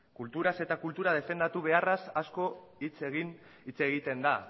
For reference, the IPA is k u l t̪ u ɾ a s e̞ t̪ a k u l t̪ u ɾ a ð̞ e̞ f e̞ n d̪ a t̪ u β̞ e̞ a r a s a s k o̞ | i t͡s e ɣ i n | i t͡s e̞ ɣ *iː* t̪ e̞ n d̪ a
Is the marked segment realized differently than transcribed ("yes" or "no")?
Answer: yes